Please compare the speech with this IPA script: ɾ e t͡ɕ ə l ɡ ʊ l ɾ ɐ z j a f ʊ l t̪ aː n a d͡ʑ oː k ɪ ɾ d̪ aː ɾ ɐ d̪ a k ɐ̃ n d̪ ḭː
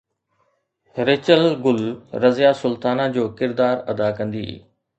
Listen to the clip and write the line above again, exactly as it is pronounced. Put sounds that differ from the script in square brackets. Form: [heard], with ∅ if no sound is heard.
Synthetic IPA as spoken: ɾ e t͡ɕ ə l ɡ ʊ l ɾ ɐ z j a [s] ʊ l t̪ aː n a d͡ʑ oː k ɪ ɾ d̪ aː ɾ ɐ d̪ a k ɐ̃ n d̪ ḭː